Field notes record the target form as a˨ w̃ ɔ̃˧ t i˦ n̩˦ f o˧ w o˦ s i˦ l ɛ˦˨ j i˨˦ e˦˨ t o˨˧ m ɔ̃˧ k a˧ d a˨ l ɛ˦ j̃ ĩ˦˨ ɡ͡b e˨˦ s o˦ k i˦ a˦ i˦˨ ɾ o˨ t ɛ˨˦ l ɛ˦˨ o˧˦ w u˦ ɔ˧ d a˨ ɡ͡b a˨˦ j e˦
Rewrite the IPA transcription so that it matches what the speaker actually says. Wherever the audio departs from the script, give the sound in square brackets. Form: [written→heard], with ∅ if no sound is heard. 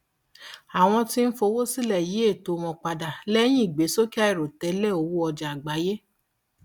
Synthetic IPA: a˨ w̃ ɔ̃˧ t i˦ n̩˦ f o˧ w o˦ s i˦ l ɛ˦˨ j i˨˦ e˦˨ t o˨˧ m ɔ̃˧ [k→k͡p] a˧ d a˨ l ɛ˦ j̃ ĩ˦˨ ɡ͡b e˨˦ s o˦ k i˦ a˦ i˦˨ ɾ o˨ t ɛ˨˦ l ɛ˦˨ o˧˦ w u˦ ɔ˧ [d→d͡ʒ] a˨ ɡ͡b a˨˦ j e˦